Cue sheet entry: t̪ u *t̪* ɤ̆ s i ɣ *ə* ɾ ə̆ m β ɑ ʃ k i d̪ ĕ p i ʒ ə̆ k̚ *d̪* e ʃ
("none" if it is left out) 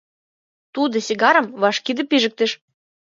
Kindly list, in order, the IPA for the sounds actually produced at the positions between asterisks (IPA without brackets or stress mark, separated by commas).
d̪, ɑ, t̪